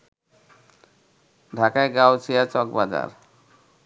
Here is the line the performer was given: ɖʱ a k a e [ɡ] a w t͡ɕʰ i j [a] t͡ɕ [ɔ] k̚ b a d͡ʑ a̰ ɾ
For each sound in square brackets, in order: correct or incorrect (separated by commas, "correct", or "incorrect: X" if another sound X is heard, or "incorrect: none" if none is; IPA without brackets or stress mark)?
correct, correct, correct